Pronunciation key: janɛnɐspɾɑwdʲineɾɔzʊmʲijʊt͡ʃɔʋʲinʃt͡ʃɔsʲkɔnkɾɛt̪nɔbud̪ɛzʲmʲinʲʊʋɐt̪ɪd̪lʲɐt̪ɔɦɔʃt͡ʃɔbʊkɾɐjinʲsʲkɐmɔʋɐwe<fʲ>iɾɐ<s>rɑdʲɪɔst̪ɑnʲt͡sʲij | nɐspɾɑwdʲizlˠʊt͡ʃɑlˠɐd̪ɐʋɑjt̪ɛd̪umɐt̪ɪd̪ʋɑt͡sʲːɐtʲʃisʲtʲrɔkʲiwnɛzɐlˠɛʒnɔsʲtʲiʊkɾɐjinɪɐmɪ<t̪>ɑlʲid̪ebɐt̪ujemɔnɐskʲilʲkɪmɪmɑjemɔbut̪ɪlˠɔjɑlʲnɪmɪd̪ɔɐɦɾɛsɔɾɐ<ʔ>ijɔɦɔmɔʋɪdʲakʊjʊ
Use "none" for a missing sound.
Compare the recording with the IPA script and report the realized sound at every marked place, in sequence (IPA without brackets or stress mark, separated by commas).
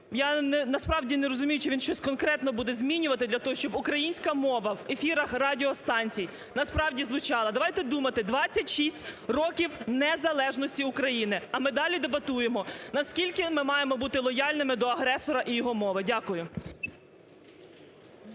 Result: fʲ, x, d̪, ʔ